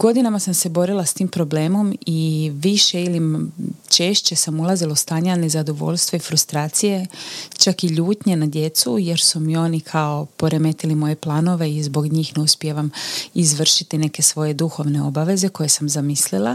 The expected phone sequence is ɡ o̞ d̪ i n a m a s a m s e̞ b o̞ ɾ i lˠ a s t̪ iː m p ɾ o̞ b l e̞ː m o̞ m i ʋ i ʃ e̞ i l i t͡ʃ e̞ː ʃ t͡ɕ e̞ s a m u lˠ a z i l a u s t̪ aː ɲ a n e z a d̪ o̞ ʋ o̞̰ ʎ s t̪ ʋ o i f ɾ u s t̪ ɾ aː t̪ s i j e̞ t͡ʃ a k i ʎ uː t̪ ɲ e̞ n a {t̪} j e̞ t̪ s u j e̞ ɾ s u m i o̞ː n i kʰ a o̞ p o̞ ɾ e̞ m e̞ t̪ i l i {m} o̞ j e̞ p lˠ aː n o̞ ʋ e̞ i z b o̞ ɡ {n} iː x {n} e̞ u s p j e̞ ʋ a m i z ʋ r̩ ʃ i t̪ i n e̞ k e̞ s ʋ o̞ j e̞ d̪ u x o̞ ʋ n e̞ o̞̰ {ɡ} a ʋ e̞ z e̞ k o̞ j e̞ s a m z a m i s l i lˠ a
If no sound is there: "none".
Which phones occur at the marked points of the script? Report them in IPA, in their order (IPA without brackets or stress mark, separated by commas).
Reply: d̪, m, ɲ, n, b